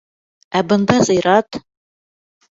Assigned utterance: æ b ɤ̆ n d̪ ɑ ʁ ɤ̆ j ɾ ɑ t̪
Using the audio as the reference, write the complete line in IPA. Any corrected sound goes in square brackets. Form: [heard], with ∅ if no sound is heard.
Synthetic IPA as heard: æ b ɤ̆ n d̪ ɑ [z] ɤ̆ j ɾ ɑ t̪